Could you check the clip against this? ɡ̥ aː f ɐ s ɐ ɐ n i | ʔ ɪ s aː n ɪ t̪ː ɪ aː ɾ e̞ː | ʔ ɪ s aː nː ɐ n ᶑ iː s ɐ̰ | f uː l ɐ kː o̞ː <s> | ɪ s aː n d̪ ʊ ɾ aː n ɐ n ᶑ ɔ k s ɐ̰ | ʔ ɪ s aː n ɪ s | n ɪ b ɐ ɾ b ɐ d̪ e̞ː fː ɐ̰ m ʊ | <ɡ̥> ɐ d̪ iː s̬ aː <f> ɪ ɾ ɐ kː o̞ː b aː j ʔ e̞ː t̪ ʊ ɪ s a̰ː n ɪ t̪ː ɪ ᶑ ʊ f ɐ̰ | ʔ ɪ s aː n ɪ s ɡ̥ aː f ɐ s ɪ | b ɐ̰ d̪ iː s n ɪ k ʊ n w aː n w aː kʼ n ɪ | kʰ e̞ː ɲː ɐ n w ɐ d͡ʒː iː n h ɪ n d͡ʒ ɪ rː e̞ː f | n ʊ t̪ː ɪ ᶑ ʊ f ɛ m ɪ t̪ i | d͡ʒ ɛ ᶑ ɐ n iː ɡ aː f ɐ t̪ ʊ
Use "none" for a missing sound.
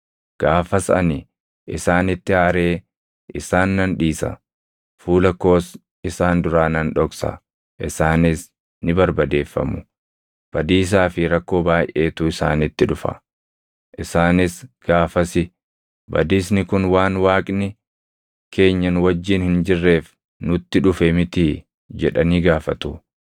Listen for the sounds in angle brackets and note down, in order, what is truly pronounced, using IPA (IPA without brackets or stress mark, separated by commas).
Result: s, b̥, f